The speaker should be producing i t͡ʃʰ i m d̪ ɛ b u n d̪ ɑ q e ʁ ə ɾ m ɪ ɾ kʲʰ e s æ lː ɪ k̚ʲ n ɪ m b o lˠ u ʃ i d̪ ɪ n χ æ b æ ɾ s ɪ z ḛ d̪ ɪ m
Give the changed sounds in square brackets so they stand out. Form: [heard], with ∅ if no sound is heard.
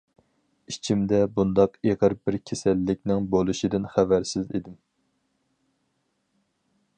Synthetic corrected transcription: i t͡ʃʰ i m d̪ ɛ b u n d̪ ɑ q e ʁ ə ɾ [b] ɪ ɾ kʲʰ e s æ lː ɪ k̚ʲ n ɪ [ŋ] b o lˠ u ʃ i d̪ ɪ n χ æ [v] æ ɾ s ɪ z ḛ d̪ ɪ m